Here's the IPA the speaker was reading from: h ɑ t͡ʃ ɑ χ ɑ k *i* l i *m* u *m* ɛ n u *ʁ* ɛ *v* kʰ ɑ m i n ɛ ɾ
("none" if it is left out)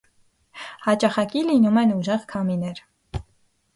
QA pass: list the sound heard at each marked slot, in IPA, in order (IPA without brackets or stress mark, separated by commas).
i, n, m, ʒ, ʁ